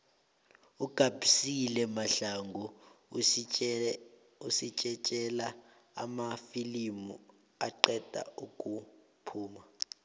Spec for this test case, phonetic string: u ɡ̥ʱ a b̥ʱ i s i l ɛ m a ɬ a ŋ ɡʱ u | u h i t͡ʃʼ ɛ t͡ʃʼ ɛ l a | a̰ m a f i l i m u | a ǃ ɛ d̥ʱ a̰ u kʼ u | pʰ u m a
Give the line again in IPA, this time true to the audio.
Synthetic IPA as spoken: u ɡ̥ʱ a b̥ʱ i s i l ɛ m a ɬ a ŋ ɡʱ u | u s i t͡ʃʼ ɛ t͡ʃʼ ɛ l a | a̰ m a f i l i m u | a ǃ ɛ d̥ʱ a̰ u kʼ u | pʰ uː m a